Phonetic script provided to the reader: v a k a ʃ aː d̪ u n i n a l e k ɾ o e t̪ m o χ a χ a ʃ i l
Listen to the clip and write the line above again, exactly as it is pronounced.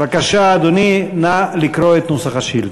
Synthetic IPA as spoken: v a k a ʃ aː d̪ o n i n a l i k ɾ o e t̪ n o s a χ a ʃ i l